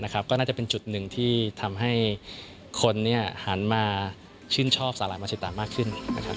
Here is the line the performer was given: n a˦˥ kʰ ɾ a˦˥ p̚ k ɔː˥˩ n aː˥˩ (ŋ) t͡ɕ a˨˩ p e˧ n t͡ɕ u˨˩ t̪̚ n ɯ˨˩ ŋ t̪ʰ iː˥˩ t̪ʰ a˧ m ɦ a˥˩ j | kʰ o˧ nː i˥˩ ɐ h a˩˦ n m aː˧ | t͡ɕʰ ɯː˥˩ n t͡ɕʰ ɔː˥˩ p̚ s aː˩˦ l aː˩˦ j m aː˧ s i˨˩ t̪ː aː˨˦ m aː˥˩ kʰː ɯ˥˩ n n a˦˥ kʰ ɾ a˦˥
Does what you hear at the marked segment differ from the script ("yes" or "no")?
yes